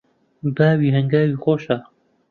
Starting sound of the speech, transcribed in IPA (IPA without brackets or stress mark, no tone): b